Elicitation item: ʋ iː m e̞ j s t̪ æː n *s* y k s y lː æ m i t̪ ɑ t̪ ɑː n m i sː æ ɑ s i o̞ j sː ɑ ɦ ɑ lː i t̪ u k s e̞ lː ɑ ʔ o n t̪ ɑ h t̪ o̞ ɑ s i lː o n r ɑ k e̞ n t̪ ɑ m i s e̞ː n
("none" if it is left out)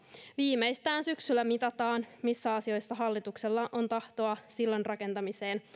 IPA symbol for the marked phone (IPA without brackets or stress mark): s